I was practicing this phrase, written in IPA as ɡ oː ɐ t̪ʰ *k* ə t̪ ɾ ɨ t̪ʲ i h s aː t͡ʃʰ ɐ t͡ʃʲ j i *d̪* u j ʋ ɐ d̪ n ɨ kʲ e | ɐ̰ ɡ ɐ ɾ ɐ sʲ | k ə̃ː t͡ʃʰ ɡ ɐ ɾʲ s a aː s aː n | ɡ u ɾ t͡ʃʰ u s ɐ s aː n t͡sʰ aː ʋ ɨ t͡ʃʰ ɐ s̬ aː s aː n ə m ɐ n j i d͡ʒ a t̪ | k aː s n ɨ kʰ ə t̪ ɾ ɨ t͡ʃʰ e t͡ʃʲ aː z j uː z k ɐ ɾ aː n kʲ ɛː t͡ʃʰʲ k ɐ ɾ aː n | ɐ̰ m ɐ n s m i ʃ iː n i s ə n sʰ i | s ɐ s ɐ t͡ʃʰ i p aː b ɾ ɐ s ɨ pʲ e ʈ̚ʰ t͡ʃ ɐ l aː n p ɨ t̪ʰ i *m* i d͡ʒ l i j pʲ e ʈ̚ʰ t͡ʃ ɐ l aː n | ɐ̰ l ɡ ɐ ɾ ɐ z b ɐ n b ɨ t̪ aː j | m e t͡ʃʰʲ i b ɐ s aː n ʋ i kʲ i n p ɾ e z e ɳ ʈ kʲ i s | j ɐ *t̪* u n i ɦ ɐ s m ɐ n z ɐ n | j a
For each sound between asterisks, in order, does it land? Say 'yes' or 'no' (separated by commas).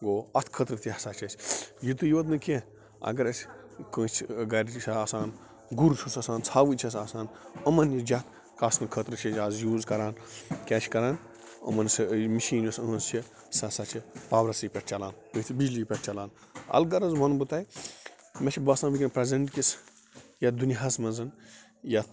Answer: no, no, no, no